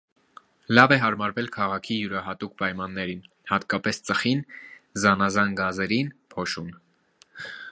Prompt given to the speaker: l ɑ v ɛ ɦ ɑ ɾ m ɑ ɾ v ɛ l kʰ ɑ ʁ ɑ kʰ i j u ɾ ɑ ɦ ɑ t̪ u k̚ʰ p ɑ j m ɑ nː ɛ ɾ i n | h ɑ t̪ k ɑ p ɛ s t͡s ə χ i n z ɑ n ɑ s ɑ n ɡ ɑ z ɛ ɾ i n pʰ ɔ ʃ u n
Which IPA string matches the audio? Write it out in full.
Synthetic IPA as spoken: l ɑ v ɛ ɦ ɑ ɾ m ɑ ɾ v ɛ l kʰ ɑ ʁ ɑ kʰ i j u ɾ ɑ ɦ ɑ t̪ u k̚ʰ p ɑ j m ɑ nː ɛ ɾ i n | h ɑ t̪ k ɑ p ɛ s t͡s ə χ i n z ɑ n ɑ z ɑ n ɡ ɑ z ɛ ɾ i n pʰ ɔ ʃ u n